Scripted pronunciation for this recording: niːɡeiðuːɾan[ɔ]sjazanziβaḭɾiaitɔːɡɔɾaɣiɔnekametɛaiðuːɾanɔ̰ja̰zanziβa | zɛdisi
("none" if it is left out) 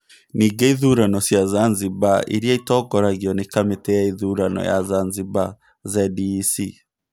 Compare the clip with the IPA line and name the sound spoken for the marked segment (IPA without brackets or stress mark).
ɔ